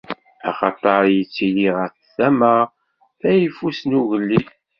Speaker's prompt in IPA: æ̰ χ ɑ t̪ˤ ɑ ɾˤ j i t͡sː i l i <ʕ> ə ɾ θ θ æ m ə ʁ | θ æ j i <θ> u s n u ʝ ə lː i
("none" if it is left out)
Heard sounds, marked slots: ʁ, f

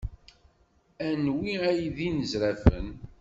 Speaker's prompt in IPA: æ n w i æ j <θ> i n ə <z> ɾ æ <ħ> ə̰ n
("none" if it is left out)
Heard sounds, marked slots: ð, z, f

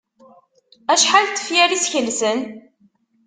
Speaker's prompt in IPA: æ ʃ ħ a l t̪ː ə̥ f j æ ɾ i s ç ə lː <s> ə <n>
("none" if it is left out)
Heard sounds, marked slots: s, n

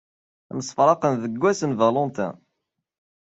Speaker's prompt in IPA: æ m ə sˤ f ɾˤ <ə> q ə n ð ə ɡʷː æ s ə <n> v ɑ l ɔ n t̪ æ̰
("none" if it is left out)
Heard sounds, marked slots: ɑ, n

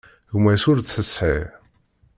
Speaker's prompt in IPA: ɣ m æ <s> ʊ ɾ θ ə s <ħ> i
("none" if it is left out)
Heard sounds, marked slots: s, ħ

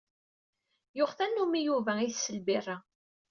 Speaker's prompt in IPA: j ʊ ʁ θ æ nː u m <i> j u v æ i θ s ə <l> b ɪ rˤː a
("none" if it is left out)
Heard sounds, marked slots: i, l

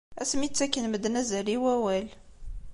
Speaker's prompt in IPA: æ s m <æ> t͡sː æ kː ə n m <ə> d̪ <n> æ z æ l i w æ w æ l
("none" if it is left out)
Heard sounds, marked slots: i, ə, n

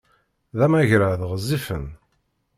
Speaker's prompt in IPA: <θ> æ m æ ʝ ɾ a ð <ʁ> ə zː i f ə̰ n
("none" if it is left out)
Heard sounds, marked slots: ð, ʁ

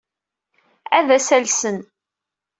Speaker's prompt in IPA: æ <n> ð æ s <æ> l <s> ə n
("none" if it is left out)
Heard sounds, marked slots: none, æ, s

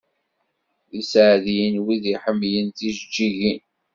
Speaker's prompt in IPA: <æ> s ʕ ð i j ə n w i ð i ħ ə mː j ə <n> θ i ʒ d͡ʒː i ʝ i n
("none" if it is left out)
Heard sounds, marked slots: i, n

